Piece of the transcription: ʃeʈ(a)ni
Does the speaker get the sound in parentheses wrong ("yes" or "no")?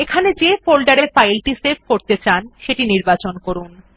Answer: yes